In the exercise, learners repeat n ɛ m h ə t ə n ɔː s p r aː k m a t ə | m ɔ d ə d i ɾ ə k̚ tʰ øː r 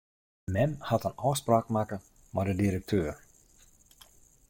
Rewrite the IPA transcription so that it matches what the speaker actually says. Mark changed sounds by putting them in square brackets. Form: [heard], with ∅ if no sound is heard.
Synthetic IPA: [m] ɛ m h [a] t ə n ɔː s p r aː k m a [k] ə | m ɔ d ə d i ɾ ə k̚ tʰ øː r